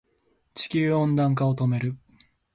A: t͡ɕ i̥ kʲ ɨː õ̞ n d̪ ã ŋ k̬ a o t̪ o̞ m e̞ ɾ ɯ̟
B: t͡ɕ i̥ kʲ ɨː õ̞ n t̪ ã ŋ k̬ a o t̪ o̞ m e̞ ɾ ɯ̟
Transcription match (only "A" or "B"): A